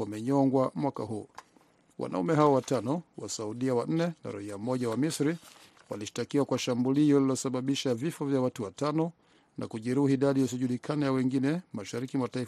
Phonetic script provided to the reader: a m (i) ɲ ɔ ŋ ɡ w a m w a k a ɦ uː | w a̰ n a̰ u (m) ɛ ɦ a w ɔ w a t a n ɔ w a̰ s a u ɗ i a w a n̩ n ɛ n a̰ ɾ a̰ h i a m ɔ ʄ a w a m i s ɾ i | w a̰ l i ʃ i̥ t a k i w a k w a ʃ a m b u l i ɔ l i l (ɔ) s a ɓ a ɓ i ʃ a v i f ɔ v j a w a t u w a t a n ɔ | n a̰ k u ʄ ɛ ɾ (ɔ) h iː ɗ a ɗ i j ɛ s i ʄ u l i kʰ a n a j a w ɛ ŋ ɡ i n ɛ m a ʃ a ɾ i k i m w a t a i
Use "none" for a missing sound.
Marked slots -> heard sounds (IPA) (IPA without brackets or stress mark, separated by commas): ɛ, m, ɔ, u